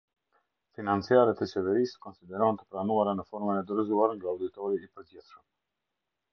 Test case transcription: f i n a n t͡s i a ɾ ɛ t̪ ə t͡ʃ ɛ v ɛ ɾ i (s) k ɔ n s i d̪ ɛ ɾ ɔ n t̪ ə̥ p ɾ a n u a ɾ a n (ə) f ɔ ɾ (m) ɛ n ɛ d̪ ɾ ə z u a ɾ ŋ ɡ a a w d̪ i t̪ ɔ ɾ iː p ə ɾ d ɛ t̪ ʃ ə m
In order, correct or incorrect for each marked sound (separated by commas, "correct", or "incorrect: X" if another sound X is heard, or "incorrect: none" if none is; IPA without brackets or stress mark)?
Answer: correct, correct, correct